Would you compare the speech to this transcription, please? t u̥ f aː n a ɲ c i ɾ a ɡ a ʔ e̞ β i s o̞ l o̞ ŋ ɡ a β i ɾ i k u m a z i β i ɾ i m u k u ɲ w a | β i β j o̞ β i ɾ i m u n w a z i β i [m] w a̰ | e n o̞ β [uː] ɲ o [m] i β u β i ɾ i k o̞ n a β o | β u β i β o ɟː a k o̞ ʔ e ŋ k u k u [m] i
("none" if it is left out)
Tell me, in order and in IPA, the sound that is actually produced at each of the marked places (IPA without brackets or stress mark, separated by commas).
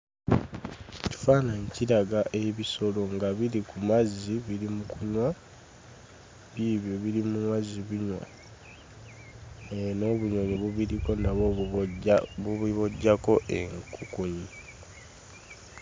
ɲ, u, ɲ, ɲ